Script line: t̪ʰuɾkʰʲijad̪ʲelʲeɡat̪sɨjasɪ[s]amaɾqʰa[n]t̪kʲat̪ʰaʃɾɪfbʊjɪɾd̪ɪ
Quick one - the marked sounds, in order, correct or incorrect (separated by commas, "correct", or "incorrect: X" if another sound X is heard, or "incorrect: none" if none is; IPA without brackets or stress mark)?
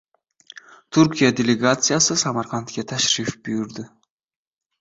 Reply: correct, correct